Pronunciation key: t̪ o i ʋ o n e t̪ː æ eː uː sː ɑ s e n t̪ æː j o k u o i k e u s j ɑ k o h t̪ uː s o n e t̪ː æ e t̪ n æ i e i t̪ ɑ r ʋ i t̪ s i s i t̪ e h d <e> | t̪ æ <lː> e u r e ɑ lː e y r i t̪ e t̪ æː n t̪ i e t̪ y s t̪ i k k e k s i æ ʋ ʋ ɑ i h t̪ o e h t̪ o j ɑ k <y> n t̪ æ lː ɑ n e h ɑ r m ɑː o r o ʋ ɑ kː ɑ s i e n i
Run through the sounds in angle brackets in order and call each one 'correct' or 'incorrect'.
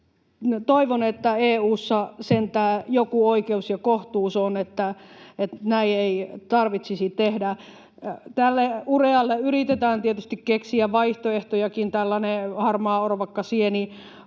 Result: incorrect: æ, correct, incorrect: i

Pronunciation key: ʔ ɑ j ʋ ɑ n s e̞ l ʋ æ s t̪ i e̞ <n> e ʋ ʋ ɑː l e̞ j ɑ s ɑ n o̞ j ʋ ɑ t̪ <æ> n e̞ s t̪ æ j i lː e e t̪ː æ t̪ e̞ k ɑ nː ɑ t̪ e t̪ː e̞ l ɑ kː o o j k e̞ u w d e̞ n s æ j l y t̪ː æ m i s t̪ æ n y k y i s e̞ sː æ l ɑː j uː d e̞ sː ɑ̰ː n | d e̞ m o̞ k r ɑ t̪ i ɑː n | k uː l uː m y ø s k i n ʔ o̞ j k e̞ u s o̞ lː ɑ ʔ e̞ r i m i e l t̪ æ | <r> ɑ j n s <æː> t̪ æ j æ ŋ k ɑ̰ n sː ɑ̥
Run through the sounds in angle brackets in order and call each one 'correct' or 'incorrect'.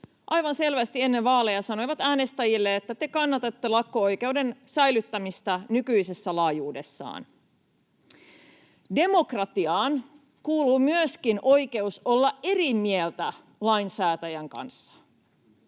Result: incorrect: nː, incorrect: æː, incorrect: l, correct

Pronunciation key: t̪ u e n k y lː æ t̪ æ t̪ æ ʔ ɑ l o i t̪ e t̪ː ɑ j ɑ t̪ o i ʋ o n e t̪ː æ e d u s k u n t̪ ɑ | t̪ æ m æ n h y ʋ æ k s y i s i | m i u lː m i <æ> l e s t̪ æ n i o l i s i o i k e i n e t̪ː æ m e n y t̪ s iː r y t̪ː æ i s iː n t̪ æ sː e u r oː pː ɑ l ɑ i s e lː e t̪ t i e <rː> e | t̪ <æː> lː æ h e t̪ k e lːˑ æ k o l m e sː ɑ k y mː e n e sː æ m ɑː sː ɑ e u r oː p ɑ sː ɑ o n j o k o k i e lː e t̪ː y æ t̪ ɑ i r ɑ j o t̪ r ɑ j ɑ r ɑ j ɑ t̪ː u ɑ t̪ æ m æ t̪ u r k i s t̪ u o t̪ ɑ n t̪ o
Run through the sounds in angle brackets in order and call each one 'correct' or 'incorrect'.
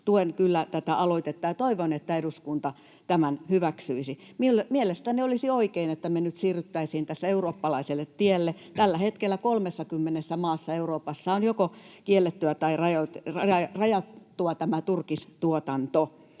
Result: incorrect: e, incorrect: lː, incorrect: æ

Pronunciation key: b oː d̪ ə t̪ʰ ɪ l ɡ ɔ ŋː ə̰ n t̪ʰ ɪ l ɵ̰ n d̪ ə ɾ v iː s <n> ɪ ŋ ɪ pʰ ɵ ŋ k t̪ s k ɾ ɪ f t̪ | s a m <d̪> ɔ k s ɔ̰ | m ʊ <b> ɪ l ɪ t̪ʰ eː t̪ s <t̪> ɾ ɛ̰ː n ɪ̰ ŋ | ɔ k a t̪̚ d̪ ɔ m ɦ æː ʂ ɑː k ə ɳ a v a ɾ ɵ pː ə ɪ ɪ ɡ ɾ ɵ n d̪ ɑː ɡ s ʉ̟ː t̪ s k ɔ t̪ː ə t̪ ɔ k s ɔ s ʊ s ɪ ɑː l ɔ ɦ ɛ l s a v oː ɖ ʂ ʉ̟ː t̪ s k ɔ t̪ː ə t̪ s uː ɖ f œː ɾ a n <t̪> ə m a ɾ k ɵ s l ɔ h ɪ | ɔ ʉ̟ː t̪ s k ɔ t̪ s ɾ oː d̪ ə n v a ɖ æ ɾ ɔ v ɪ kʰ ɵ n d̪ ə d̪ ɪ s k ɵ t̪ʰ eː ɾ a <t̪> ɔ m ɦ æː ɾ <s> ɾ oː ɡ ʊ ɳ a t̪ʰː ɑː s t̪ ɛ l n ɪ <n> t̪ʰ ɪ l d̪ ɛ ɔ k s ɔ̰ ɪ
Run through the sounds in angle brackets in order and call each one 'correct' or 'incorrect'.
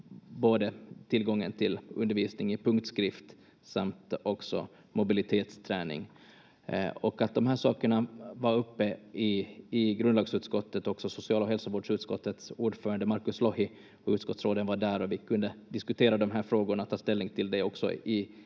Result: correct, incorrect: t̪, correct, incorrect: t̪ʰ, incorrect: d̪, incorrect: d̪, incorrect: f, incorrect: ŋ

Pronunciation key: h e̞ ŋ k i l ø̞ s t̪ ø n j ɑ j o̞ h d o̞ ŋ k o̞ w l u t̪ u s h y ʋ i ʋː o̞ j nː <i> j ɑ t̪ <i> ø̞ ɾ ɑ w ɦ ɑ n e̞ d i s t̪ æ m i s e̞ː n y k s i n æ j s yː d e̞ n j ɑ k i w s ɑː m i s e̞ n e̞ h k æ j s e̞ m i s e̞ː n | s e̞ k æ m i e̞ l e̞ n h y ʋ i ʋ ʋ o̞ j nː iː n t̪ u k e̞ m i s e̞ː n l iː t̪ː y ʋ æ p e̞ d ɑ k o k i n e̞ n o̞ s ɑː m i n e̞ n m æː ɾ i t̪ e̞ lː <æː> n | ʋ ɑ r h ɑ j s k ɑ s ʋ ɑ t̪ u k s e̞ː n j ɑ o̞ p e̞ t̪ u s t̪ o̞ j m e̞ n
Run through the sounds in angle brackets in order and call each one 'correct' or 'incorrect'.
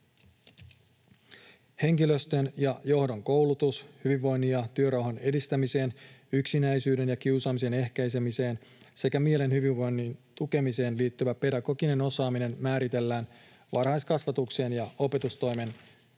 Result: correct, incorrect: y, correct

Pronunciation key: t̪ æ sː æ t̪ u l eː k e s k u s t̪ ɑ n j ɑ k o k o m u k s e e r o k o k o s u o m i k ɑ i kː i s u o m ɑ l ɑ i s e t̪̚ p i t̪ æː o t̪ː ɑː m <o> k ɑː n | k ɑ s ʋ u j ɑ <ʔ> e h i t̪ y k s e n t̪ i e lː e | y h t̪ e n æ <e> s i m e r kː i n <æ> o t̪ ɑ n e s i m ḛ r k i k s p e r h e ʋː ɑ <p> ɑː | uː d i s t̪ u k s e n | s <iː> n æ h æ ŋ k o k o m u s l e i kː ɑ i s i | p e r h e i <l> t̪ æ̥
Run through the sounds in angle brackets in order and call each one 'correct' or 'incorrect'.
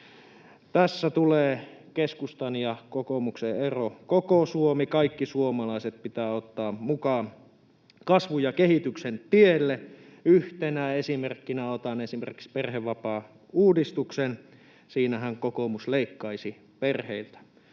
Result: incorrect: u, incorrect: k, correct, correct, correct, correct, correct

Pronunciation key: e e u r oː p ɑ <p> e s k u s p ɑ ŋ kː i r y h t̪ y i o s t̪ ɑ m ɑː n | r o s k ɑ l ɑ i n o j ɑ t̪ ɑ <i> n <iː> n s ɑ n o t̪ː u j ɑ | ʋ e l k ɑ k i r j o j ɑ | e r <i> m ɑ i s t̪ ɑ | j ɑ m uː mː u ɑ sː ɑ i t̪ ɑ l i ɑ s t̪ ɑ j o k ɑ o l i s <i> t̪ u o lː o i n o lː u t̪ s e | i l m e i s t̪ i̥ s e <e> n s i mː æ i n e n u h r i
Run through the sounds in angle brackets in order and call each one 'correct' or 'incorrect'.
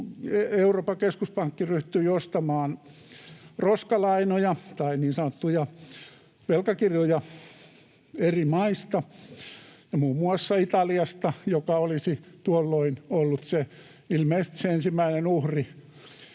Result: incorrect: k, correct, correct, correct, correct, correct

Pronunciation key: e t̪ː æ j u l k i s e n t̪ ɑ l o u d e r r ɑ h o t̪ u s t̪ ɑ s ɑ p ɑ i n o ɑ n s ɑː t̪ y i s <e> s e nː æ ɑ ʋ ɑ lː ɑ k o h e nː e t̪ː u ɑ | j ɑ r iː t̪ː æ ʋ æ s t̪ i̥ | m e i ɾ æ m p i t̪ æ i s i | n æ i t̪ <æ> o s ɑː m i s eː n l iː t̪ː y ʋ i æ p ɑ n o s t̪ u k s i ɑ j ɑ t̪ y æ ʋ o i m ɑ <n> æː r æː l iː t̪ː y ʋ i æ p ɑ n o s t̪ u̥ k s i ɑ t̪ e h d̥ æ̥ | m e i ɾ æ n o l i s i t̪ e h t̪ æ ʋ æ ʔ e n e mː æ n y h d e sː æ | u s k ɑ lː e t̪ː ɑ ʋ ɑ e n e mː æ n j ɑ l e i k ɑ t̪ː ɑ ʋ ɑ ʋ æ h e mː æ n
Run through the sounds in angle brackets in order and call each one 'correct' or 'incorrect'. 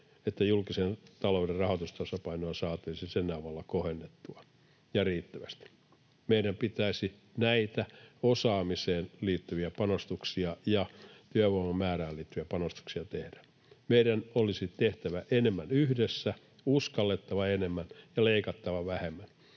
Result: incorrect: i, correct, incorrect: m

